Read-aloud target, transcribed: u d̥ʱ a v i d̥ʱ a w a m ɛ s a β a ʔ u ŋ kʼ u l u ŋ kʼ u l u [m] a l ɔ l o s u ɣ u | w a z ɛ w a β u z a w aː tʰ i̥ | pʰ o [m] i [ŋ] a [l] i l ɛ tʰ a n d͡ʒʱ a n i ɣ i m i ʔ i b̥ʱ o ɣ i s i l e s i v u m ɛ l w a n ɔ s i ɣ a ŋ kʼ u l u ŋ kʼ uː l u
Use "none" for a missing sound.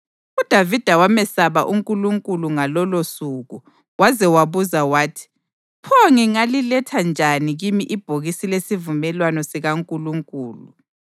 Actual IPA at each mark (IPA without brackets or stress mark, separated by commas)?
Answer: ŋ, ŋ, ŋ, l